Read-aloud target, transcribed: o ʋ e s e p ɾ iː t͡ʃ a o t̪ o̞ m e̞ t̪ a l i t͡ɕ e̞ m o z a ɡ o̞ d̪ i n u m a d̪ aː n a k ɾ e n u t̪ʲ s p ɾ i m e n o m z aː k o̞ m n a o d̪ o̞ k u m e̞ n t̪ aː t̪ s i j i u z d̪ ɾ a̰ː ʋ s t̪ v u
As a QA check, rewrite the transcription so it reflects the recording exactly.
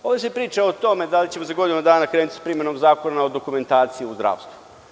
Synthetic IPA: o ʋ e s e p ɾ iː t͡ʃ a o t̪ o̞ m e̞ d̪ a l i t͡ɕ e̞ m o z a ɡ o̞ d̪ i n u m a d̪ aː n a k ɾ e n u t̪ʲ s p ɾ i m e n o m z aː k o̞ n a o d̪ o̞ k u m e̞ n t̪ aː t̪ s i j i u z d̪ ɾ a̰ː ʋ s t̪ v u